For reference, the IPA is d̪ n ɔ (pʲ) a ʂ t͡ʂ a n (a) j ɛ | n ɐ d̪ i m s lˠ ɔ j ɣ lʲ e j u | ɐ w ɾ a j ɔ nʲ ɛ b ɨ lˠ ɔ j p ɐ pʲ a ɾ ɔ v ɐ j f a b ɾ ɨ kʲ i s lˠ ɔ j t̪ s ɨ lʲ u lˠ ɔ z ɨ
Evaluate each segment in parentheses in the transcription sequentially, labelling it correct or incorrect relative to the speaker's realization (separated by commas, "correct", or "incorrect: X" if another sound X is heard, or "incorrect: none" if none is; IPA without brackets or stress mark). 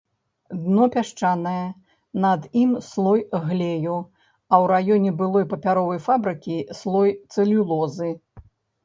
correct, incorrect: ɐ